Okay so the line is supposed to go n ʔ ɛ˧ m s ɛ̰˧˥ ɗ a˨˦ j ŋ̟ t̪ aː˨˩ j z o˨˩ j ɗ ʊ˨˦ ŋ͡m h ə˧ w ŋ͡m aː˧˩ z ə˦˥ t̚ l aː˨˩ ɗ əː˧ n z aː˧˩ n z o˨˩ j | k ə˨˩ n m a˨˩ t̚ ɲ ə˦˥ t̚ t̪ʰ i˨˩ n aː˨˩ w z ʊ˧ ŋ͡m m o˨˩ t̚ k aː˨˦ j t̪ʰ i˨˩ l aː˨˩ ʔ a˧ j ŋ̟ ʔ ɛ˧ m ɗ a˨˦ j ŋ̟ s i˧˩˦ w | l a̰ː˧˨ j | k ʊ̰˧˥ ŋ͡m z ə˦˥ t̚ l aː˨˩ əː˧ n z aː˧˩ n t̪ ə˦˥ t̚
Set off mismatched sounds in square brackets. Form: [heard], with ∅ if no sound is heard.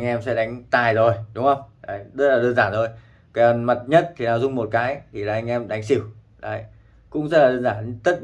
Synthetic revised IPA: [ŋ] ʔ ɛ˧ m s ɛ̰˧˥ ɗ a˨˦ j ŋ̟ t̪ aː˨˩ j z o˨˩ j ɗ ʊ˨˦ ŋ͡m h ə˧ w ŋ͡m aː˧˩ z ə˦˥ t̚ l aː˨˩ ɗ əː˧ n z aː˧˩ n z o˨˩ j | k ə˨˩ n m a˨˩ t̚ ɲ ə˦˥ t̚ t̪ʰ i˨˩ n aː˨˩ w z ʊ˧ ŋ͡m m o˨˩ t̚ k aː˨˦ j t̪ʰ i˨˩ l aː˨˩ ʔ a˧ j ŋ̟ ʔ ɛ˧ m ɗ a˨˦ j ŋ̟ s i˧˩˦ w | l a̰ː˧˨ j | k ʊ̰˧˥ ŋ͡m z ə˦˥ t̚ l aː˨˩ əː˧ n z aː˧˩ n t̪ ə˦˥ t̚